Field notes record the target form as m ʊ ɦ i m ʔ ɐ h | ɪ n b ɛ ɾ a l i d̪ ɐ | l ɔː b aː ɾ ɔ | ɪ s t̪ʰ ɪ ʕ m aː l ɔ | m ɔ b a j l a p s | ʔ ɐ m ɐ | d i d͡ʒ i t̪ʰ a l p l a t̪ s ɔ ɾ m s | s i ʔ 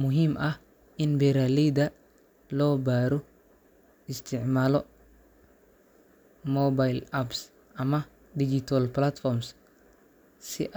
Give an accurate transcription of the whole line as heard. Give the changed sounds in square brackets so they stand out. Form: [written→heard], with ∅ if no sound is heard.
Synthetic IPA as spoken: m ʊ ɦ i m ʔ ɐ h | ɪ n b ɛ ɾ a l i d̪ ɐ | l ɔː b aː ɾ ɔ | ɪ s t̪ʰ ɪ ʕ m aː l ɔ | m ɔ b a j l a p s | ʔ ɐ m ɐ | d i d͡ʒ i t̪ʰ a l p l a t̪ [s→f] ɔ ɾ m s | s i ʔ